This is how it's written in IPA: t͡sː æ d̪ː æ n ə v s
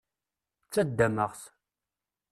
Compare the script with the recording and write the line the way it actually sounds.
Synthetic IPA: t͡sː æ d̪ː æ m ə ʁ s